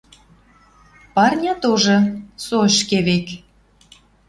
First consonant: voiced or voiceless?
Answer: voiceless